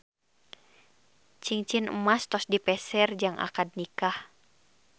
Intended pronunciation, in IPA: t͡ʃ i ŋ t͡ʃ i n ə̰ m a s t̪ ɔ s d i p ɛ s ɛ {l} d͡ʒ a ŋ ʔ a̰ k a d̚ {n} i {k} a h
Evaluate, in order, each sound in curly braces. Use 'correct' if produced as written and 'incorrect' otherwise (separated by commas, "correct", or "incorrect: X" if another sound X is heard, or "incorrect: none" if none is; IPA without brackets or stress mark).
incorrect: r, correct, correct